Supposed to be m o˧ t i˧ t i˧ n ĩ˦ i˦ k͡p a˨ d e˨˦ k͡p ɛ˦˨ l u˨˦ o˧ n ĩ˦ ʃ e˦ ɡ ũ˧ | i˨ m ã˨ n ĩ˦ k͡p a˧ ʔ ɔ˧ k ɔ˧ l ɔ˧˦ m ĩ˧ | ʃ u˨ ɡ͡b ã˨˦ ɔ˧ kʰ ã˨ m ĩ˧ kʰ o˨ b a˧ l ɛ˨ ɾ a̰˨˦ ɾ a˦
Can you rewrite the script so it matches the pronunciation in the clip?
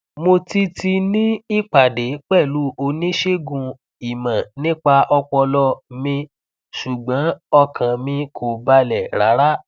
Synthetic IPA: m o˧ t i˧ t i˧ n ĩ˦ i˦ k͡p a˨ d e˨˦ k͡p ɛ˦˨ l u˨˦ o˧ n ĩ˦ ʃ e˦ ɡ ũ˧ | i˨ m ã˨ n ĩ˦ k͡p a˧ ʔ ɔ˧ k͡p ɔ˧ l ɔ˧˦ m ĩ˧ | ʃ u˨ ɡ͡b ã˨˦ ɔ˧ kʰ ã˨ m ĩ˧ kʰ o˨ b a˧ l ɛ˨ ɾ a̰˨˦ ɾ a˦